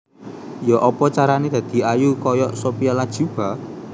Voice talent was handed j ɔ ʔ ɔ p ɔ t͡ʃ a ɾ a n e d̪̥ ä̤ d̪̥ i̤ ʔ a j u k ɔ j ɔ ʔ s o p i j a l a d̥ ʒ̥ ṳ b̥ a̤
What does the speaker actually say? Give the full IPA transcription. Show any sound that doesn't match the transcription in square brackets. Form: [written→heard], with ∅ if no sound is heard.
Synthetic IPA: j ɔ ʔ ɔ p ɔ t͡ʃ a ɾ a n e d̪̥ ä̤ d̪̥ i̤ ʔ a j u k ɔ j ɔ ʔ s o p i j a l a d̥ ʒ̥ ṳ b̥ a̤